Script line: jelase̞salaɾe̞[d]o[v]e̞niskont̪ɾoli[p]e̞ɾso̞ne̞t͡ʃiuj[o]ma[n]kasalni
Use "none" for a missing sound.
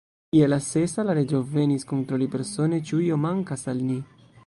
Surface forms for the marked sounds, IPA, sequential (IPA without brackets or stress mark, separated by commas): d͡ʒ, v, p, o, ŋ